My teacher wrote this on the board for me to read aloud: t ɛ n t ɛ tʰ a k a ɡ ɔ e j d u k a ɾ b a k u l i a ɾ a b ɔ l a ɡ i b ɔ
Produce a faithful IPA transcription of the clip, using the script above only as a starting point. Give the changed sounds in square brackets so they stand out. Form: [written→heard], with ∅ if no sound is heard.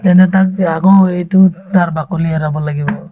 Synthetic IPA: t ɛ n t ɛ [tʰ→t] a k a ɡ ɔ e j [d→t] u [k→t] a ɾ b a k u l i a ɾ a b ɔ l a ɡ i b ɔ